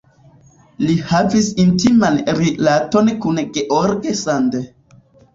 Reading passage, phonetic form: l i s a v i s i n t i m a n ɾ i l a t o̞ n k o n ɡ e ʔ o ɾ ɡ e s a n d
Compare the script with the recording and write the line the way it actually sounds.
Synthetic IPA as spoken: l i h a v i s i n t i m a n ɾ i l a t o̞ n k u n ɡ e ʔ o ɾ ɡ e s a n d